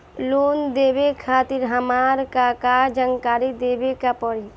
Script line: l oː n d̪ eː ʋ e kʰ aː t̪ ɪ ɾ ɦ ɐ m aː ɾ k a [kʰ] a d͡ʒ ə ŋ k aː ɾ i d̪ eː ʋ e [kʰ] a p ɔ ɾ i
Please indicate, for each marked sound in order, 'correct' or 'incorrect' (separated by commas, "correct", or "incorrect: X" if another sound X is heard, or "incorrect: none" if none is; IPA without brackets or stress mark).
incorrect: k, incorrect: k